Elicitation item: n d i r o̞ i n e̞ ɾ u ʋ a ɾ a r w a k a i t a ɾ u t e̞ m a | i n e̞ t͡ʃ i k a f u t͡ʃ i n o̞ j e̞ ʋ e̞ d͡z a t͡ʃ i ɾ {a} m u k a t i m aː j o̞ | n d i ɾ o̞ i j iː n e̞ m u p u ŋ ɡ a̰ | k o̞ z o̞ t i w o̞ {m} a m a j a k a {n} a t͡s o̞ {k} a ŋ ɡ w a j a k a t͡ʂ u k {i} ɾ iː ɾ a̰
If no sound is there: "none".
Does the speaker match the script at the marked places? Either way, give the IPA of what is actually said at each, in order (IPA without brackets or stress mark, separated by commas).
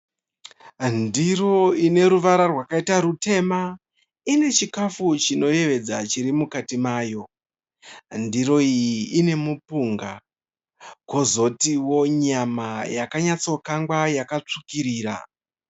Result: i, ɲ, ɲ, k, i